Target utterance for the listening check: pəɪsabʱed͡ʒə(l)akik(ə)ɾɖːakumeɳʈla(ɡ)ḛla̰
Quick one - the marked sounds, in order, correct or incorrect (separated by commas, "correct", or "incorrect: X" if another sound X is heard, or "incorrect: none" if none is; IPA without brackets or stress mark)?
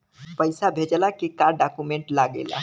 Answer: correct, incorrect: a, correct